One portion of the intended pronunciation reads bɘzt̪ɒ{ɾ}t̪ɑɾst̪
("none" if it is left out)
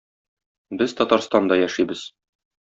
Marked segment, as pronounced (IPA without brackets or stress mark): none